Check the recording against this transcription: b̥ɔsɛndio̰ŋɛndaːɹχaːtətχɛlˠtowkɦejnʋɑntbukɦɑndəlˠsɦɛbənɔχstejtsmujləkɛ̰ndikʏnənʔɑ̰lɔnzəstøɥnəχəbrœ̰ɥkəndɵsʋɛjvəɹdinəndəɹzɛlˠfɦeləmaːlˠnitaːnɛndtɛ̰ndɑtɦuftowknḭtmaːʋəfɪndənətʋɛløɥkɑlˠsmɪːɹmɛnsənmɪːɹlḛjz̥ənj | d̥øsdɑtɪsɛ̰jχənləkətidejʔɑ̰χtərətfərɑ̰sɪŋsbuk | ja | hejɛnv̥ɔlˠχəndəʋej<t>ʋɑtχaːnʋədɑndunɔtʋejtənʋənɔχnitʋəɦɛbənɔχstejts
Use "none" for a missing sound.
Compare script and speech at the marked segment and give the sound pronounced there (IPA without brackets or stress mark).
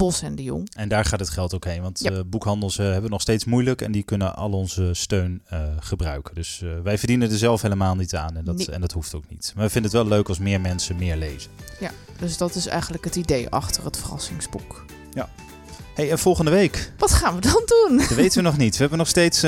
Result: k